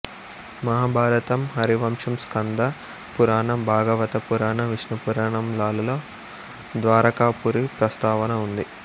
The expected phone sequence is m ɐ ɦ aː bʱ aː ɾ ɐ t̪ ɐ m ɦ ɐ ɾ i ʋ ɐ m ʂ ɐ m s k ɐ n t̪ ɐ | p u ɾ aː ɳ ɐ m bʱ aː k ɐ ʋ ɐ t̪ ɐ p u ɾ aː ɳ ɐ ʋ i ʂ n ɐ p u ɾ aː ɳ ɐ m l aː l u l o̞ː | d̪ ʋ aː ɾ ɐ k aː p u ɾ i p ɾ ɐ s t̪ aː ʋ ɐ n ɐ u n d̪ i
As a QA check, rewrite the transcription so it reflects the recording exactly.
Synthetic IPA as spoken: m ɐ ɦ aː bʱ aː ɾ ɐ t̪ ɐ m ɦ ɐ ɾ i ʋ ɐ m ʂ ɐ m s k ɐ n d̪ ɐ | p u ɾ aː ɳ ɐ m bʱ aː ɡ ɐ ʋ ɐ t̪ ɐ p u ɾ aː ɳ ɐ ʋ i ʂ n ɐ p u ɾ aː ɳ ɐ m l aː l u l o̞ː | d̪ ʋ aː ɾ ɐ k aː p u ɾ i p ɾ ɐ s t̪ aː ʋ ɐ n ɐ u n d̪ i